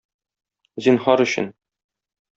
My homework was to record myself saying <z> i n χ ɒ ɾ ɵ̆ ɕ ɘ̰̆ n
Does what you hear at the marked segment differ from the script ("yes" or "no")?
no